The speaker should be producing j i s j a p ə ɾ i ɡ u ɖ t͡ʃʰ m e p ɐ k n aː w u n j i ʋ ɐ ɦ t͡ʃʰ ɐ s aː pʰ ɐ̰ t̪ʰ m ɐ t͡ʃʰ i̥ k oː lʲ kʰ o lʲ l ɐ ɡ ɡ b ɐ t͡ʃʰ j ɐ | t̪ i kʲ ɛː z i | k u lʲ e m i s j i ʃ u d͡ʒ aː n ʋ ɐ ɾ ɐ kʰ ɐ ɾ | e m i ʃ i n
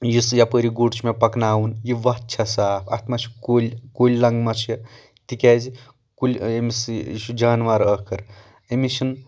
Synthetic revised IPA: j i s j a p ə ɾ i ɡ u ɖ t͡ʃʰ m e p ɐ k n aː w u n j i ʋ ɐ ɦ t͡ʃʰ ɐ s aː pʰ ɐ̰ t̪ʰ m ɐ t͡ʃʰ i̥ k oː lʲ k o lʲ l ɐ ŋ ɡ m ɐ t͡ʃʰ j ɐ | t̪ i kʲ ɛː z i | k u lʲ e m i s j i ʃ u d͡ʒ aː n ʋ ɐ ɾ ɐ kʰ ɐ ɾ | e m i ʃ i n